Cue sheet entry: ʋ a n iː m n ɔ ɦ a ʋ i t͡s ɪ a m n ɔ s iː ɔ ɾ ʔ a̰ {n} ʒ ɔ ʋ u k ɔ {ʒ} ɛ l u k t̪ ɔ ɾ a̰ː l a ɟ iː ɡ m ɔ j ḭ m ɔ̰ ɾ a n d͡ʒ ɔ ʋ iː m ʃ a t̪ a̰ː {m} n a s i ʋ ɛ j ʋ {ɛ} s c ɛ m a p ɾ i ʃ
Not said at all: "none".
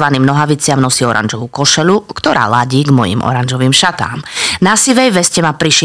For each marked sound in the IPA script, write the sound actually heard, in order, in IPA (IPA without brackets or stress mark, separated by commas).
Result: n, ʃ, m, ɛ